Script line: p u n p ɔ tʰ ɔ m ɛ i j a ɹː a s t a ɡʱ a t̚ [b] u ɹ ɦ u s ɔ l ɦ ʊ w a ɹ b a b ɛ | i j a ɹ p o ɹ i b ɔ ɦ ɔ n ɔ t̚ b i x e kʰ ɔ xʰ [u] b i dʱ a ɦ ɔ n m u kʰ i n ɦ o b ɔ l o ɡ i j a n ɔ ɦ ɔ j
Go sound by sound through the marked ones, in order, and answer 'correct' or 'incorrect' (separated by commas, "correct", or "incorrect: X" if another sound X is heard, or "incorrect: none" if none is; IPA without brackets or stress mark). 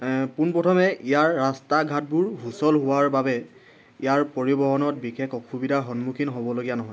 correct, correct